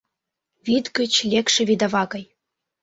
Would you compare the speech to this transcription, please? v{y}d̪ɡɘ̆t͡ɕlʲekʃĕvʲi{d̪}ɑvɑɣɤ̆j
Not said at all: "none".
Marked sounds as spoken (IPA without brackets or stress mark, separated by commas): i, d̪